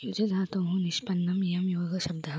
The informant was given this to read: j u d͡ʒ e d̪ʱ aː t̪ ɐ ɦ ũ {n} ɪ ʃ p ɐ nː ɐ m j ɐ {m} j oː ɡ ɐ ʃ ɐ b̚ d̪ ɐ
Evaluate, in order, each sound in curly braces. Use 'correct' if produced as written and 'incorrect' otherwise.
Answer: correct, correct

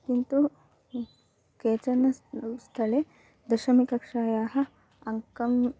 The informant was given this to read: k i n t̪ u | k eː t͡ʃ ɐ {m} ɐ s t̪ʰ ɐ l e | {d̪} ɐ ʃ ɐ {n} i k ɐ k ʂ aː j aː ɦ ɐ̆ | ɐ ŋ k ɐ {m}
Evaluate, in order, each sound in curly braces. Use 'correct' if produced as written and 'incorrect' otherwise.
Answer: incorrect: n, correct, incorrect: m, correct

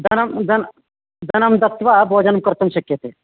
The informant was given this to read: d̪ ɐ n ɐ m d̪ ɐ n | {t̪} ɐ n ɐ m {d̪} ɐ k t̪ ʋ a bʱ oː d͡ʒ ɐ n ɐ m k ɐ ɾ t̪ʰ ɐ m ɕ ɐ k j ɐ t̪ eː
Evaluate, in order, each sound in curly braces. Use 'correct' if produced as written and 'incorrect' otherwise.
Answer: incorrect: d̪, correct

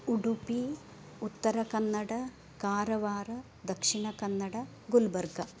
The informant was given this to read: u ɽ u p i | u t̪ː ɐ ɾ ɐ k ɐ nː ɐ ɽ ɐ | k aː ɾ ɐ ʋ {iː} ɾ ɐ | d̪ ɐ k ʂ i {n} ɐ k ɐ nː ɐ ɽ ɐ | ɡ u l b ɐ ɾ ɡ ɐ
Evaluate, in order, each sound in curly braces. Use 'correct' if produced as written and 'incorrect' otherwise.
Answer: incorrect: aː, incorrect: ɳ

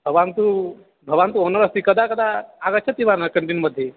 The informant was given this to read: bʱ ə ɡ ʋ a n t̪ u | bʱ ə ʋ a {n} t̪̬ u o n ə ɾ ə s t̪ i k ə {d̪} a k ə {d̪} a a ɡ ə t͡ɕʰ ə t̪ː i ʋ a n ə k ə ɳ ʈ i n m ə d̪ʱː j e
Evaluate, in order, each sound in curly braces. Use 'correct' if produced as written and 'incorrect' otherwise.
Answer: correct, correct, correct

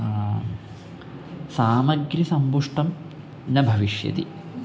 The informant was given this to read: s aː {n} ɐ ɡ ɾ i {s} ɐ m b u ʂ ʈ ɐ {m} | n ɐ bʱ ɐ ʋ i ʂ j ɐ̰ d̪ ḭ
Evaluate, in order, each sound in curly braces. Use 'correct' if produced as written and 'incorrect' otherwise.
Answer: incorrect: m, correct, correct

